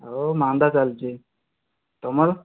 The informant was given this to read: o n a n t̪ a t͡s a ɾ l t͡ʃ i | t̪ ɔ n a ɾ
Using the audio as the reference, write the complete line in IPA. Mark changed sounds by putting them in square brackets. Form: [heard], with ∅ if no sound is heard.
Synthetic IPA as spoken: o [m] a n [d̪] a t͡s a [∅] l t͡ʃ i | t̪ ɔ [m] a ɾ

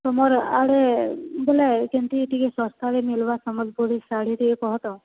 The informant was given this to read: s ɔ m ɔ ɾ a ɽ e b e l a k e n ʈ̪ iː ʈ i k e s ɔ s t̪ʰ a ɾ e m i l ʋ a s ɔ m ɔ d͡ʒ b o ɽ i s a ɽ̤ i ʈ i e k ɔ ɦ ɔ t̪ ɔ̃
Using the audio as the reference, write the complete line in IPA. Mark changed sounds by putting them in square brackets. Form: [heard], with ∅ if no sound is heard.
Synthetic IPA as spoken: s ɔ m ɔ ɾ a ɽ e b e l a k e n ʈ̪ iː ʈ i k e s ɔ s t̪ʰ a ɾ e m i l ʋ a s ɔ m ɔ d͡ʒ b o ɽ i s a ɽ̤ i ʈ i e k ɔ ɦ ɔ t̪ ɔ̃

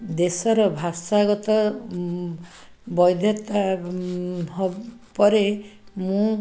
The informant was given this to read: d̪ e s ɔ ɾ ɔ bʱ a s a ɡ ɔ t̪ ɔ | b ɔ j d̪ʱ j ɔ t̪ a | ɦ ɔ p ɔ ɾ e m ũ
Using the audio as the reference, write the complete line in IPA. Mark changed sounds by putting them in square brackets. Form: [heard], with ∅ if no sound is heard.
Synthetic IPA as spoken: d̪ e s ɔ ɾ ɔ bʱ a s a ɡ ɔ t̪ ɔ | b ɔ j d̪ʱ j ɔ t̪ a | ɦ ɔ p ɔ ɾ e m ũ

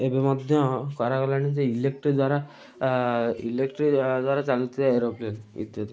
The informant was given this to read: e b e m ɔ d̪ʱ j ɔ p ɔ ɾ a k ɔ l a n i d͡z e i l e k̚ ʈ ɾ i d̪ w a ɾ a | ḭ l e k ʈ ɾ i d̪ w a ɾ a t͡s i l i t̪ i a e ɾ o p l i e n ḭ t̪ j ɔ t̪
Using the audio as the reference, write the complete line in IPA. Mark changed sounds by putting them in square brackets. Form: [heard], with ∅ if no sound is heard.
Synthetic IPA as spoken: e b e m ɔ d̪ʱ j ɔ [k] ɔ ɾ a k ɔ l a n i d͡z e i l e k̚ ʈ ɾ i d̪ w a ɾ a | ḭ l e k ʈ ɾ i d̪ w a ɾ a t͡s [a] l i t̪ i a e ɾ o p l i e n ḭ t̪ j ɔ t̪

